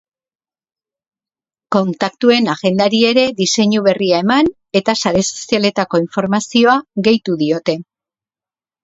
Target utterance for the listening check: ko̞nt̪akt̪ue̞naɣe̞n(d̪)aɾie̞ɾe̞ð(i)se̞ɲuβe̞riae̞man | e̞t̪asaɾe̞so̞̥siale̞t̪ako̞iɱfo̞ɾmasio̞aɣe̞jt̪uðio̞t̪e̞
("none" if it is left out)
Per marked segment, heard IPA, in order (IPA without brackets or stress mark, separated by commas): d̪, i